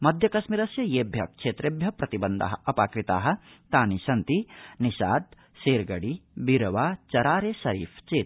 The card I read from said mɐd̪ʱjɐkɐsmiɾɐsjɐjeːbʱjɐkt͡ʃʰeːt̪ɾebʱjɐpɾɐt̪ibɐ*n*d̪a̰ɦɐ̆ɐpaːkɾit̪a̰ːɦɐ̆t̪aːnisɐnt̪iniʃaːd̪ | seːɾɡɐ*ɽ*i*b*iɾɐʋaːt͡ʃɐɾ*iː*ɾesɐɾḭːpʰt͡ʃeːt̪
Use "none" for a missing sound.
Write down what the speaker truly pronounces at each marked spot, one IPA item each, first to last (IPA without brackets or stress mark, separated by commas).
n, ɽ, b, aː